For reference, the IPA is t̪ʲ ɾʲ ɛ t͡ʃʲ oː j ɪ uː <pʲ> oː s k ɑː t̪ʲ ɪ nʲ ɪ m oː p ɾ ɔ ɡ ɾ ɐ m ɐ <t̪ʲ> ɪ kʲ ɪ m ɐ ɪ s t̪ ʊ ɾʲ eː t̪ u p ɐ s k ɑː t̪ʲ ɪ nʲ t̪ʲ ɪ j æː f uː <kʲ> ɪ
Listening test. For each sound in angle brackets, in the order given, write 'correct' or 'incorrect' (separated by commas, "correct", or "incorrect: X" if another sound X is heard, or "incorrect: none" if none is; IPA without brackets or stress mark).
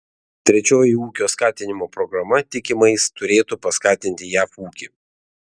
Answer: incorrect: kʲ, correct, correct